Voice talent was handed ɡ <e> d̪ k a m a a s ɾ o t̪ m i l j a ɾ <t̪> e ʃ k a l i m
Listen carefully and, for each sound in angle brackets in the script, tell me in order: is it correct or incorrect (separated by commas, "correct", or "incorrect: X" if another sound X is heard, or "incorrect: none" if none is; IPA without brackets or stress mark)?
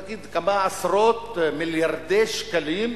incorrect: i, incorrect: d̪